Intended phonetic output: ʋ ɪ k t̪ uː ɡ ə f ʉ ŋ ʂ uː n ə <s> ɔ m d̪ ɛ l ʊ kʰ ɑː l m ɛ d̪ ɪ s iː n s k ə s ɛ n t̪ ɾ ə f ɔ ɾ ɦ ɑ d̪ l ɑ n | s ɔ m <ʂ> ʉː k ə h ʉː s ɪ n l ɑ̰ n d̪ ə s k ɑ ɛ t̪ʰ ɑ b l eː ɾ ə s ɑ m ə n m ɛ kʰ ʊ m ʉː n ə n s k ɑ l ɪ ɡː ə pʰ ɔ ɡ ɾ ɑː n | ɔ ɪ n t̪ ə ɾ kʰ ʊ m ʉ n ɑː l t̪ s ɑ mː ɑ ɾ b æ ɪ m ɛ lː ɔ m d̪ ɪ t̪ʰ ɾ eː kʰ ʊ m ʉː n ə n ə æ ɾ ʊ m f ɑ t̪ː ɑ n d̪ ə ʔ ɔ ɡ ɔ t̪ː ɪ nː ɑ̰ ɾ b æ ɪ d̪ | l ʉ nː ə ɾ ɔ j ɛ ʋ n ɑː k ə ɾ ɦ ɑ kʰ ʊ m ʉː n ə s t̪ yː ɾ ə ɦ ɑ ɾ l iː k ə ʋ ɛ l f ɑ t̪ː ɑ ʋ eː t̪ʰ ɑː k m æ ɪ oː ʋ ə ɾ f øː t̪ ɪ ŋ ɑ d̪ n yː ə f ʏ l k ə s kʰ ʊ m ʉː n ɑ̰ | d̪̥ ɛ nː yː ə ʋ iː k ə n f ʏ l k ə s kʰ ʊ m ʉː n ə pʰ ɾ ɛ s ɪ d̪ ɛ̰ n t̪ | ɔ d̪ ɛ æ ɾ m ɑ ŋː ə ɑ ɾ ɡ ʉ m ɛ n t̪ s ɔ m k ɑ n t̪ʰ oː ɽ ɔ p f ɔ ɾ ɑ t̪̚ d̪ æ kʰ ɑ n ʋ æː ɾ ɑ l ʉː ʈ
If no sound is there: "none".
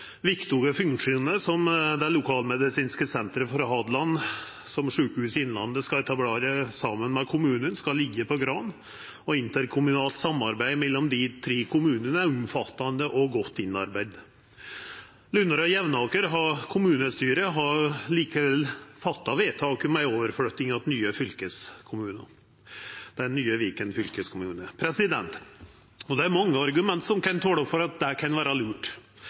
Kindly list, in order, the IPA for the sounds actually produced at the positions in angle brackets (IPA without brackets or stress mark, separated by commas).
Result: s, ʂ